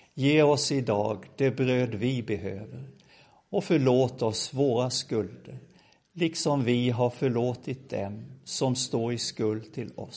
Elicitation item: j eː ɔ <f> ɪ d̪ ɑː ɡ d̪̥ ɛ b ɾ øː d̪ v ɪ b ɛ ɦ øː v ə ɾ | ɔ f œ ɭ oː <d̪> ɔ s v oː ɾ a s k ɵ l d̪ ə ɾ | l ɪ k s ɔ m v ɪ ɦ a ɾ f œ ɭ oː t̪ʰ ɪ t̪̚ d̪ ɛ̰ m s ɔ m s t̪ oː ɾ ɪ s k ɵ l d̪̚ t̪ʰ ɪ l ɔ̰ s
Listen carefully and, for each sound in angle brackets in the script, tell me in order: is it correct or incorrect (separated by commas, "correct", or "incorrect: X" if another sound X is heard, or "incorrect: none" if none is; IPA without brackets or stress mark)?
incorrect: s, incorrect: t̪